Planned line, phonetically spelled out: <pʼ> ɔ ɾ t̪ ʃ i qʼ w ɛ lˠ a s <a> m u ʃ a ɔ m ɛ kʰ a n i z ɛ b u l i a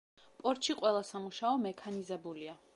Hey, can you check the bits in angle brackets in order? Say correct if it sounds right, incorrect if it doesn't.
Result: correct, correct

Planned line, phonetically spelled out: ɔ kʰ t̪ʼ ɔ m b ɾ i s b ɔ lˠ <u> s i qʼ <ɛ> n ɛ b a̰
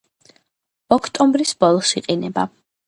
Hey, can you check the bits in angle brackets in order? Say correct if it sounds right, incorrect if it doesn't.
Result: incorrect: ɔ, incorrect: i

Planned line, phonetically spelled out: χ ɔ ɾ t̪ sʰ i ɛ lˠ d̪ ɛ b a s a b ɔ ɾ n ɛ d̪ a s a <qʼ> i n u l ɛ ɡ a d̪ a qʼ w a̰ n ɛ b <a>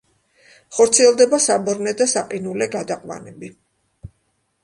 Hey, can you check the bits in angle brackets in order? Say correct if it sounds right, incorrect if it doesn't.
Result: correct, incorrect: i

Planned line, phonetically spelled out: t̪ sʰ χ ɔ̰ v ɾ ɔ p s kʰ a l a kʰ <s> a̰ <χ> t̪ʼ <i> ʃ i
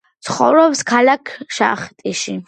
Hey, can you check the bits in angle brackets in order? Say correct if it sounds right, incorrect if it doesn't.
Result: incorrect: ʃ, correct, correct

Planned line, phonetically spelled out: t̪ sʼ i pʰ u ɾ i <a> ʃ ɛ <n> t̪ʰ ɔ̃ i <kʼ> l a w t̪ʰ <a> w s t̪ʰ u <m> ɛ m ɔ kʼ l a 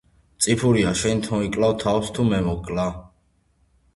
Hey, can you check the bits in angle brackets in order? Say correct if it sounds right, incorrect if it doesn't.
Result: correct, correct, correct, correct, correct

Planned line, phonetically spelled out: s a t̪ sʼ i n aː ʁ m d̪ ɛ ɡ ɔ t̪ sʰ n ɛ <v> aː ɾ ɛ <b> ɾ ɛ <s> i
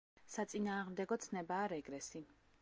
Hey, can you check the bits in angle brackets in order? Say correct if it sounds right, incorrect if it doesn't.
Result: incorrect: b, incorrect: ɡ, correct

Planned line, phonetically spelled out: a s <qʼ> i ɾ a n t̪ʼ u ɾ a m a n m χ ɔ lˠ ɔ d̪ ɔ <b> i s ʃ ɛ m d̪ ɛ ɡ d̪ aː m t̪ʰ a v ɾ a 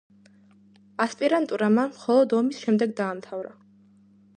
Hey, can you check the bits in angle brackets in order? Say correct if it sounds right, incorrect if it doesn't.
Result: incorrect: pʼ, incorrect: m

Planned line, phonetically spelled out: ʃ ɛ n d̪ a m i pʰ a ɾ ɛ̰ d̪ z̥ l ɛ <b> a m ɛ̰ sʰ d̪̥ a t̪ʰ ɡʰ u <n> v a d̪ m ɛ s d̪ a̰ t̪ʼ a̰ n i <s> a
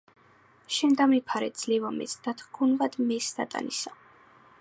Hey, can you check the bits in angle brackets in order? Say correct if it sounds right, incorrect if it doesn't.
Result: incorrect: v, correct, correct

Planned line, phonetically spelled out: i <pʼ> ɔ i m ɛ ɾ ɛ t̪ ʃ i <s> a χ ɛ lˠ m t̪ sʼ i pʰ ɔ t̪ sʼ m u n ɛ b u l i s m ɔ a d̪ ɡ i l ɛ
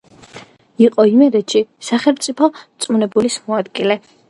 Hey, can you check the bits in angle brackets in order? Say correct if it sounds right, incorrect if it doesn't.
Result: incorrect: qʼ, correct

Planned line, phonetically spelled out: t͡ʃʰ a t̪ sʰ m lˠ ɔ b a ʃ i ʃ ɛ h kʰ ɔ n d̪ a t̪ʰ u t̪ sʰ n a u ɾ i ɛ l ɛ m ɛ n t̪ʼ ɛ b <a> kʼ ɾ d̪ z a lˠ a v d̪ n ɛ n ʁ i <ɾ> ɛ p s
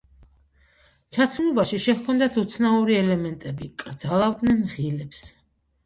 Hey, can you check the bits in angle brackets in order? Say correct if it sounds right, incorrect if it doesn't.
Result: incorrect: i, incorrect: l

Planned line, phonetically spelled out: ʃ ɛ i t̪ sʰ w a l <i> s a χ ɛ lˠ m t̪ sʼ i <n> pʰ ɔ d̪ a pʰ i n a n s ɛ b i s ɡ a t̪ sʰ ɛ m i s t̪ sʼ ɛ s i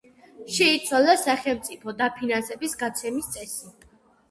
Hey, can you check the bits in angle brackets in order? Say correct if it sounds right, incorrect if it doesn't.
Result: incorrect: a, incorrect: none

